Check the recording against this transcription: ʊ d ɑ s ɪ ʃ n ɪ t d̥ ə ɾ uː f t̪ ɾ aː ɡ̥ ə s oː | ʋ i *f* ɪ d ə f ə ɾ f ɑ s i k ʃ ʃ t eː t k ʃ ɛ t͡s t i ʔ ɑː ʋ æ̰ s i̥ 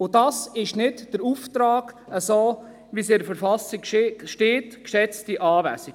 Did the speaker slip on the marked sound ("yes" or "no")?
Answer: yes